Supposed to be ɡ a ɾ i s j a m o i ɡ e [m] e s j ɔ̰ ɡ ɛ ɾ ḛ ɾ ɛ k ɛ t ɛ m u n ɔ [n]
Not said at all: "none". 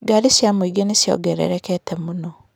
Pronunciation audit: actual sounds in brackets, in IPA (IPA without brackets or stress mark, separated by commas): n, none